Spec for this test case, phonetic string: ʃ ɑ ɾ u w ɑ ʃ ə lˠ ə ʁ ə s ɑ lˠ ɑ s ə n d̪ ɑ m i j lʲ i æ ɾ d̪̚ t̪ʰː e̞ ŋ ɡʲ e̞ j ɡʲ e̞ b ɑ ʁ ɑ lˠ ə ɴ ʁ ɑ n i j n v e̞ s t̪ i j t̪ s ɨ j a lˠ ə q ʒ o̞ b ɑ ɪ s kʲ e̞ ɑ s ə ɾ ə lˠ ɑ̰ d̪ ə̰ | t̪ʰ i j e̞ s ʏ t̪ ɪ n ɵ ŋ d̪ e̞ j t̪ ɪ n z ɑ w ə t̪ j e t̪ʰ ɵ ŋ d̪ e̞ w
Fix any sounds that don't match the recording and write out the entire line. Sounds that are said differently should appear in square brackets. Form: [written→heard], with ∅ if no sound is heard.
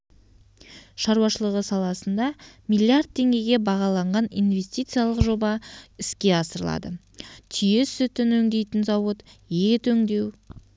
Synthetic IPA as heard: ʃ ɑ ɾ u w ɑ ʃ ə lˠ ə ʁ ə s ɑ lˠ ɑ s ə n d̪ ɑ m i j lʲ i [æ→a] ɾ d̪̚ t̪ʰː e̞ ŋ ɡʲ e̞ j ɡʲ e̞ b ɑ ʁ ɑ lˠ [ə→ɑ] ɴ ʁ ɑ n i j n v e̞ s t̪ i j t̪ s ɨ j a lˠ ə q ʒ o̞ b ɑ ɪ s kʲ e̞ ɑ s ə ɾ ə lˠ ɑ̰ d̪ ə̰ | t̪ʰ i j e̞ s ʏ t̪ ɪ n ɵ ŋ d̪ e̞ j t̪ ɪ n z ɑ w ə t̪ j e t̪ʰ ɵ ŋ d̪ e̞ w